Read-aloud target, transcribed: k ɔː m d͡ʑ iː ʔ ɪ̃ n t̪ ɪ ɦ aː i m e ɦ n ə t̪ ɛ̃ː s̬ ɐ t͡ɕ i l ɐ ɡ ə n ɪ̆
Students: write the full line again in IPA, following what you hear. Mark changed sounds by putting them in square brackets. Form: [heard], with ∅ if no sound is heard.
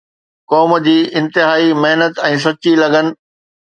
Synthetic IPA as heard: k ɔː m d͡ʑ iː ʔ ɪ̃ n t̪ ɪ ɦ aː i m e ɦ n ə t̪ ɛ̃ː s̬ ɐ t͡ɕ i l ɐ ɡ ə n ɪ̆